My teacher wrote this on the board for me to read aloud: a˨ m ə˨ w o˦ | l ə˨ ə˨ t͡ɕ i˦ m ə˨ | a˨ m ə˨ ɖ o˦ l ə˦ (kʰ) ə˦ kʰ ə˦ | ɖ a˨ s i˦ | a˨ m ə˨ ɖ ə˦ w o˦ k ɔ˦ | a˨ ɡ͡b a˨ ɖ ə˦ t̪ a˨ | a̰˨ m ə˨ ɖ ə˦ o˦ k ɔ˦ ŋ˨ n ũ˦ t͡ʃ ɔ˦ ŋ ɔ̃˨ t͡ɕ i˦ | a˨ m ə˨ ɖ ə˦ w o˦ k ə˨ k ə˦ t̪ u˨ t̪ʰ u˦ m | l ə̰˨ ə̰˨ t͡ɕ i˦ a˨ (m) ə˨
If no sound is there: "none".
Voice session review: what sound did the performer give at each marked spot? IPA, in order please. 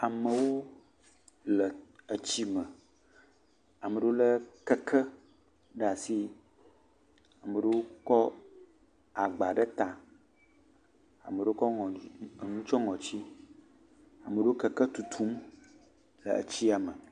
k, m

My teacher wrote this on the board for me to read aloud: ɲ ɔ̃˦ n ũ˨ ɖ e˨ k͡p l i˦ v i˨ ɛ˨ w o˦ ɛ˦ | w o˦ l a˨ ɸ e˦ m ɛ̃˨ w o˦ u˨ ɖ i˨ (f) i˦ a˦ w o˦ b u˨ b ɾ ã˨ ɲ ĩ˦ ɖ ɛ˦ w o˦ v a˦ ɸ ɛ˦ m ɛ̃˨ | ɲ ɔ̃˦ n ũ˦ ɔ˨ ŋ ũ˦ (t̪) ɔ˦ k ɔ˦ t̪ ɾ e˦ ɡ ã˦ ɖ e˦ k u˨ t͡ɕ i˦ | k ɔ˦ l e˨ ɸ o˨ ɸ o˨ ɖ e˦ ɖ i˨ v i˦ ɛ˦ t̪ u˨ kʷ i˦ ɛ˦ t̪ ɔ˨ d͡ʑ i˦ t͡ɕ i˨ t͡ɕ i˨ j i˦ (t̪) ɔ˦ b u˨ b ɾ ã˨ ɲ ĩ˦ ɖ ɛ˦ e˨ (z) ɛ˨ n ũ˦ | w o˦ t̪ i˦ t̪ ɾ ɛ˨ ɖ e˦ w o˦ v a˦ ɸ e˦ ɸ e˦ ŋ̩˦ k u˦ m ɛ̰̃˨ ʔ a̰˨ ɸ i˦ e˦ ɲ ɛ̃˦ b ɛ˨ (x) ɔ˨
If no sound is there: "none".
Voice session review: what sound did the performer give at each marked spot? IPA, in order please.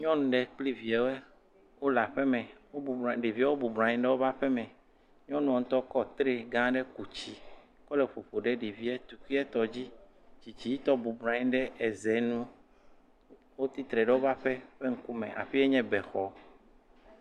v, t̪, t̪, z, x

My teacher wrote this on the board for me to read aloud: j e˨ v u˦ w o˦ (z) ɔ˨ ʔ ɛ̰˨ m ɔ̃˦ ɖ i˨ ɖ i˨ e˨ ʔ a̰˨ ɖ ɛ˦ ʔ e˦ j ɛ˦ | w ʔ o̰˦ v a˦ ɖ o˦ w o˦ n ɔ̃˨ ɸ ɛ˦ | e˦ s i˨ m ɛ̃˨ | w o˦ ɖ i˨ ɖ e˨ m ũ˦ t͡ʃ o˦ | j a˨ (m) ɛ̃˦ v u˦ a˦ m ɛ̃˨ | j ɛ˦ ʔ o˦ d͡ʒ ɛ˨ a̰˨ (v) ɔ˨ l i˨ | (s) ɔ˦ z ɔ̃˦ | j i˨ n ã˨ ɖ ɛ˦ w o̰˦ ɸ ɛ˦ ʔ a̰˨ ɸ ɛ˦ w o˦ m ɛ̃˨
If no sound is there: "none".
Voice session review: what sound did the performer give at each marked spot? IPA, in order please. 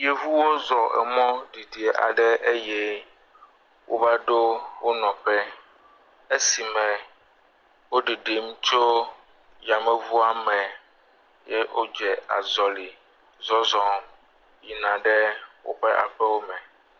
z, m, z, z

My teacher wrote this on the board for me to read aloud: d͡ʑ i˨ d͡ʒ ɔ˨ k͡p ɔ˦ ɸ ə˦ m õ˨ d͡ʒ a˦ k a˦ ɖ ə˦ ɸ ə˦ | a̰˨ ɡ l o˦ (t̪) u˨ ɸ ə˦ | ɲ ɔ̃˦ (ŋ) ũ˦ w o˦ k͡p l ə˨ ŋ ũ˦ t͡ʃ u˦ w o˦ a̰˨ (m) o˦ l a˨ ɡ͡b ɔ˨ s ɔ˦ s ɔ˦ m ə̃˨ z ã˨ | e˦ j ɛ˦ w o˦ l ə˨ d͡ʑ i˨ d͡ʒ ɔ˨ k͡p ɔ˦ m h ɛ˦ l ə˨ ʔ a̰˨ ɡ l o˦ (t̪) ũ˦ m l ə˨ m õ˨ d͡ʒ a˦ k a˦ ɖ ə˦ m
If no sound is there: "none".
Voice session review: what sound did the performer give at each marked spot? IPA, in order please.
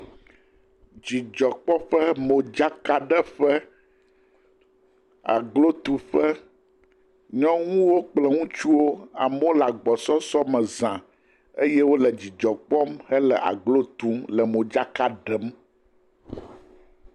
t̪, ŋ, m, t̪

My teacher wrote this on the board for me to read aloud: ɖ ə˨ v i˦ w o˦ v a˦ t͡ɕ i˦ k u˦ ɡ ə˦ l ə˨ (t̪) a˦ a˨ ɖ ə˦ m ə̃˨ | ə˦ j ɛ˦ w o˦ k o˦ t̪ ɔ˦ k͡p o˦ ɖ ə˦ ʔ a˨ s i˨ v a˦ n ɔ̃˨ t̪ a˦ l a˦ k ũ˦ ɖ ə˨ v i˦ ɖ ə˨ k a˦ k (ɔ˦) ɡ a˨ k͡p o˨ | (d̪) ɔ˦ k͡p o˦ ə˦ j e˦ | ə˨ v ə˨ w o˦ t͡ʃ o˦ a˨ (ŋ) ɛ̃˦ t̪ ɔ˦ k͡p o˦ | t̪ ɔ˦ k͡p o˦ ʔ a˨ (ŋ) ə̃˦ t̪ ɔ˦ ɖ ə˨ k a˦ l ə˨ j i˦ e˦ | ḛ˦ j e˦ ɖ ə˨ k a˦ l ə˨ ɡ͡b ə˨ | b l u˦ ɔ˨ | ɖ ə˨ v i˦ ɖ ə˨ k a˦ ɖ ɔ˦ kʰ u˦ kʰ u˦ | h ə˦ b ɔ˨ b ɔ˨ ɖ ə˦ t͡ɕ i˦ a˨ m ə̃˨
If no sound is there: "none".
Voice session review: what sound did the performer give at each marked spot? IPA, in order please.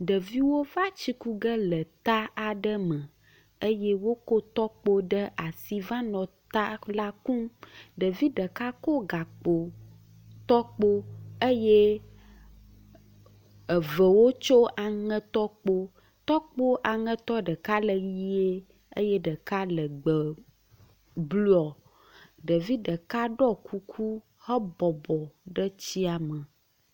t̪, o˦, t̪, ŋ, ŋ

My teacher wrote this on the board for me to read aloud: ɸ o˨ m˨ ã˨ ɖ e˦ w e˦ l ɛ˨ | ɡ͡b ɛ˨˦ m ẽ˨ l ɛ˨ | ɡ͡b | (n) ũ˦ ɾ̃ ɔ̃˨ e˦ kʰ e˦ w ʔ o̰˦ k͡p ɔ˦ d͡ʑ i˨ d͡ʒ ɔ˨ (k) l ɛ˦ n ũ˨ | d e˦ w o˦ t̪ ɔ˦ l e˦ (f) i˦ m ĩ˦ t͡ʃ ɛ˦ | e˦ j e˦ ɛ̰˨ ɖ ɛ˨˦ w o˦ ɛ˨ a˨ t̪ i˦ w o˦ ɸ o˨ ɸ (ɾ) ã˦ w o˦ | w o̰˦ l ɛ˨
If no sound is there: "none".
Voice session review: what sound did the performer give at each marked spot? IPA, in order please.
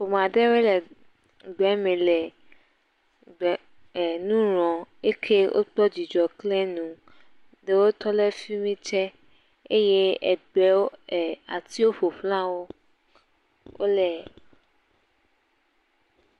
n, k, f, l

